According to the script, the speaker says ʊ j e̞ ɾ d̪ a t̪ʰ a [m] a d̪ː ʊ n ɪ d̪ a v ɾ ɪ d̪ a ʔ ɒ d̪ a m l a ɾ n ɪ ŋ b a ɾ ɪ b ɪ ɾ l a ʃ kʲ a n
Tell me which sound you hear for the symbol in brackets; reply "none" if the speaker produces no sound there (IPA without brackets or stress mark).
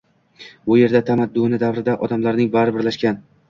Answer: m